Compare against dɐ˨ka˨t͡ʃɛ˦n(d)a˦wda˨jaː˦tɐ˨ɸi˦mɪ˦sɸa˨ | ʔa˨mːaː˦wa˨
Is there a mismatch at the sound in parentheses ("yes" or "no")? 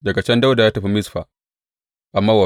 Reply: no